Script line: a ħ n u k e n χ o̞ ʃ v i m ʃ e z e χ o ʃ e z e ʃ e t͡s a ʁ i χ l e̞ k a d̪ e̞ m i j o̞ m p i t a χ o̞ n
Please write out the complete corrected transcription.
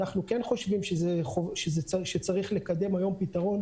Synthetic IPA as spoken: a χ n u k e n χ o̞ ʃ v i m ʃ e z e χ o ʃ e z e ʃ e t͡s a ʁ i χ l e̞ k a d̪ e̞ m a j o̞ m p i t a ʁ o̞ n